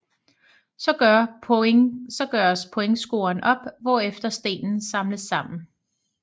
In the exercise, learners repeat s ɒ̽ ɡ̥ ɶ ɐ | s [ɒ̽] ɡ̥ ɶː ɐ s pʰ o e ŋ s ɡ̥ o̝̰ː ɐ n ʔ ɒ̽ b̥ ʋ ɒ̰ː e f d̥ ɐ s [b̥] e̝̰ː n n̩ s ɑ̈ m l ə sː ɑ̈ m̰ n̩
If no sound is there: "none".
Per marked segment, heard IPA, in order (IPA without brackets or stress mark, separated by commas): ɒ̽, d̥